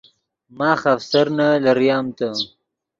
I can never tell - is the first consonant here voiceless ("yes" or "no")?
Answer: no